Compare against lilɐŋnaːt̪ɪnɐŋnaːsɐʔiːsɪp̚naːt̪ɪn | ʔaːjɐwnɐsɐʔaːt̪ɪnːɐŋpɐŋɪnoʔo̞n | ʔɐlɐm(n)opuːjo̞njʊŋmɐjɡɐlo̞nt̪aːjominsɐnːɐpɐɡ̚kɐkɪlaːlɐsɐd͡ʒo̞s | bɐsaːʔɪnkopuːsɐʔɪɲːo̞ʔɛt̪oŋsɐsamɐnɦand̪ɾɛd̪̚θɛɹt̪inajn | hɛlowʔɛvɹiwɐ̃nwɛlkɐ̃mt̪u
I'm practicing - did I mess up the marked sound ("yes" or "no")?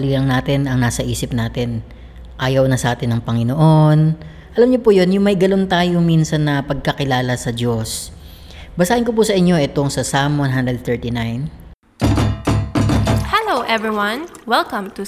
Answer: yes